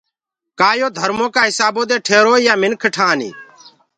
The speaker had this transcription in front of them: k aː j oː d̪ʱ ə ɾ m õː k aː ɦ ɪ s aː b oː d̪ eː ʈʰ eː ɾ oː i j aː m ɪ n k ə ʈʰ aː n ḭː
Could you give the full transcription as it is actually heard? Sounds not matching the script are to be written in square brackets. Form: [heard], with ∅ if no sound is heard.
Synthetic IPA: k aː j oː d̪ʱ ə ɾ m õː k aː ɦ ɪ s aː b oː d̪ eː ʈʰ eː ɾ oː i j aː m ɪ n [kʰ] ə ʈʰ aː n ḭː